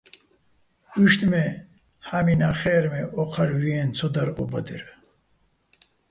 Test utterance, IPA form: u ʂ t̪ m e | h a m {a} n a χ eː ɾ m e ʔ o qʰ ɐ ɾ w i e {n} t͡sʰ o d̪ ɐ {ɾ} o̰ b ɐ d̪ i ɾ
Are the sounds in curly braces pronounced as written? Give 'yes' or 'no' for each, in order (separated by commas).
no, yes, yes